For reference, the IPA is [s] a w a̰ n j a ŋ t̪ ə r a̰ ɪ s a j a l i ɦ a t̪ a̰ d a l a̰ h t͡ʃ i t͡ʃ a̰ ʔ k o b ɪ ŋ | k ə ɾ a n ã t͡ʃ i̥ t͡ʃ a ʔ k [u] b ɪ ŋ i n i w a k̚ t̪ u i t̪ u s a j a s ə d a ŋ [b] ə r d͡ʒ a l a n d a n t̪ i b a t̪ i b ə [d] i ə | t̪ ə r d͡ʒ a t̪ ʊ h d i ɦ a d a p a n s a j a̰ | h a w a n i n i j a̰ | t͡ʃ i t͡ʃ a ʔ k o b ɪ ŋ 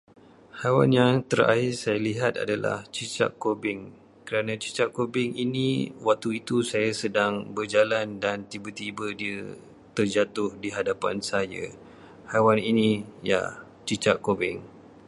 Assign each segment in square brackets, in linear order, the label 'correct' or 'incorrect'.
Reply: incorrect: h, incorrect: o, correct, correct

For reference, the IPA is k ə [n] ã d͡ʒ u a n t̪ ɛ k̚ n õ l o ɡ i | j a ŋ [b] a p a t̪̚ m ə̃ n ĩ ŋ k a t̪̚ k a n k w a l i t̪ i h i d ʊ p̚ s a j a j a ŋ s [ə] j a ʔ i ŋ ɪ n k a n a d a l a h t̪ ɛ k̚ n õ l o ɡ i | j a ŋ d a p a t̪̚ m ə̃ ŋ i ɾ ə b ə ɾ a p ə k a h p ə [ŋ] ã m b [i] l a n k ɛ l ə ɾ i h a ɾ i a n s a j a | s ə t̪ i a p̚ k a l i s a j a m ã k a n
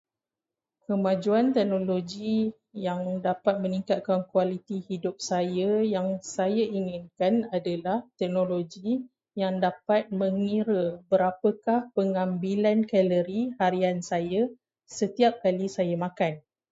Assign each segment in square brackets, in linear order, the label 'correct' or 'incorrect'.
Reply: incorrect: m, incorrect: d, incorrect: a, correct, correct

